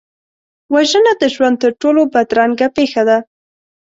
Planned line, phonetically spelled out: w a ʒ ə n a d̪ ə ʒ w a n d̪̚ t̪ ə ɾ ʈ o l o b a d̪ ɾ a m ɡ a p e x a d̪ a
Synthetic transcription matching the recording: w a ʒ ə n a d̪ ə ʒ w a n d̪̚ t̪ ə ɾ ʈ o l o b a d̪ ɾ a ŋ ɡ a p e x a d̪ a